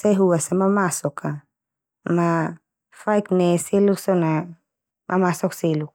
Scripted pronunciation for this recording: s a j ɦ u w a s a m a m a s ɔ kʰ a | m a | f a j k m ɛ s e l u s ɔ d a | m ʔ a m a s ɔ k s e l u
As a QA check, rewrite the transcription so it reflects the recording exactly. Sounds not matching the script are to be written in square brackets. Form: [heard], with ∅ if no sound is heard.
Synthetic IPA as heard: s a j ɦ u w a s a m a m a s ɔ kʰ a | m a | f a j k [n] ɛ s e l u s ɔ [n] a | m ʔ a m a s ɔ k s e l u